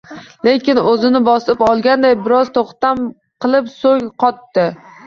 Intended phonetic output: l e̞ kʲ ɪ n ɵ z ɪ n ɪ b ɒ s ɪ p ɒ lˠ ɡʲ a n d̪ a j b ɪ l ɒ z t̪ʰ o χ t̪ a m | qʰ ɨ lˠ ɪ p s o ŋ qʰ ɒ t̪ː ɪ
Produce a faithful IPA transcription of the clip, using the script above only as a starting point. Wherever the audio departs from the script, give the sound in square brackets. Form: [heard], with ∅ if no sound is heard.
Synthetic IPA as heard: l e̞ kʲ ɪ n ɵ z ɪ n ɪ b ɒ s ɪ p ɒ lˠ ɡʲ a n d̪ a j b ɪ [ɾ] ɒ z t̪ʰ o χ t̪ a m | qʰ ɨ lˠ ɪ p s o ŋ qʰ ɒ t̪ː ɪ